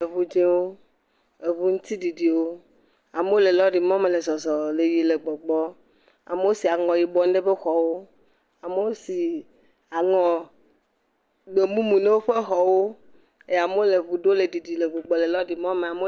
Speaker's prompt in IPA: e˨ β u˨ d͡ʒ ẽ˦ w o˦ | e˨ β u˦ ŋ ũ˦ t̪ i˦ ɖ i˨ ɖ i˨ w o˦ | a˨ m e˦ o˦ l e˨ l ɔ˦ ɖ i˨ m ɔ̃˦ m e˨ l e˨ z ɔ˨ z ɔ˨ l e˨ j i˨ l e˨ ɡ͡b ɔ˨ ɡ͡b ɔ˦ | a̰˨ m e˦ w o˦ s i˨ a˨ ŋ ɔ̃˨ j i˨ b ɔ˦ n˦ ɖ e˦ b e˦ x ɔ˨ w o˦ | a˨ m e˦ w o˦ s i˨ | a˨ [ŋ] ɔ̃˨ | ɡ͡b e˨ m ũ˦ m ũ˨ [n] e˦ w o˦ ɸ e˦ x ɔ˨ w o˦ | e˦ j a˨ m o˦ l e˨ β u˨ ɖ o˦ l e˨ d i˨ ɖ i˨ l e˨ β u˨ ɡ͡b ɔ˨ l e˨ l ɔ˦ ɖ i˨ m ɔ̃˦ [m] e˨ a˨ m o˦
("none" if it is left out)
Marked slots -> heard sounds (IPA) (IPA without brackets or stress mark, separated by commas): ŋ, n, m